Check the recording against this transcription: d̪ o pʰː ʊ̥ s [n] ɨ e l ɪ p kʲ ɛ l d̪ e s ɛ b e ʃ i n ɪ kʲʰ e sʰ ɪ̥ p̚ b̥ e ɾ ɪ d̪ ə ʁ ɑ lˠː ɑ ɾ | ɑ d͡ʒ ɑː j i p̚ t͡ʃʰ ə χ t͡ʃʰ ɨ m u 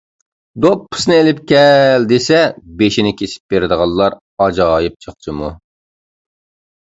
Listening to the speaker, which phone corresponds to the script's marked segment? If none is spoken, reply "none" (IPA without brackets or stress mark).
n